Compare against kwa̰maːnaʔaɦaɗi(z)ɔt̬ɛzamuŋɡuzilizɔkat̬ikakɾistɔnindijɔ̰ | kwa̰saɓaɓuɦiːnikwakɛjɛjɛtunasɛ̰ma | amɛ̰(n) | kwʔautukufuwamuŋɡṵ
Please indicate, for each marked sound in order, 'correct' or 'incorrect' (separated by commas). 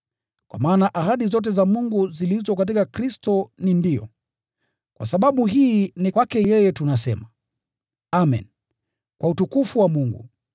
correct, correct